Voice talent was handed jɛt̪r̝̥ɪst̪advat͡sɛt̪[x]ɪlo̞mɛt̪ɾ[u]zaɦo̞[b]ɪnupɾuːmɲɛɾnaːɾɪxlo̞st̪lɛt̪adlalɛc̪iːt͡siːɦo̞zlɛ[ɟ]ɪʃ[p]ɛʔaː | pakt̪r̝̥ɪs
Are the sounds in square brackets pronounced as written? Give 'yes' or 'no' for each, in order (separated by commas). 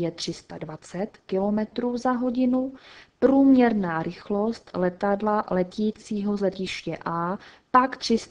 no, no, no, no, no